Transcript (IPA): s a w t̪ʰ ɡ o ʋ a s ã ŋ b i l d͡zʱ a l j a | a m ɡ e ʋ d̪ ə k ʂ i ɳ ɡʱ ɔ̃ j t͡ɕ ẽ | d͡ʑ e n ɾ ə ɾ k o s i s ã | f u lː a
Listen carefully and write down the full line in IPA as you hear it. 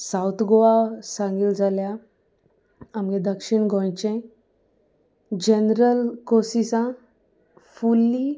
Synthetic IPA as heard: s a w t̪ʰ ɡ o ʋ a s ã ŋ ɡ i l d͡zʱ a l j a | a m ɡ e d̪ ə k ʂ i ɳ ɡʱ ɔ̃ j t͡ɕ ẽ | d͡ʑ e n ɾ ə l k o s i s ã | f u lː i